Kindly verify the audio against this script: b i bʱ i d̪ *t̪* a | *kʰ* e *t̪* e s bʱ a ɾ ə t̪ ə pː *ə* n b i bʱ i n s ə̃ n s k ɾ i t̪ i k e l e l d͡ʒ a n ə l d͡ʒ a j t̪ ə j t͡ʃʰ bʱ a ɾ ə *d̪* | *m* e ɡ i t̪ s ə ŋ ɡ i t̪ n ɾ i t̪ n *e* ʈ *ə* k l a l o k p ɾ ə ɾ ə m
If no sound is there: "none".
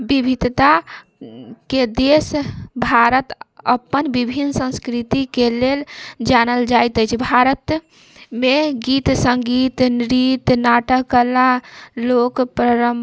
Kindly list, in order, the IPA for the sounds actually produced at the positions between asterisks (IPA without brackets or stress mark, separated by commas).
t̪, k, d̪, ə, t̪, m, a, ə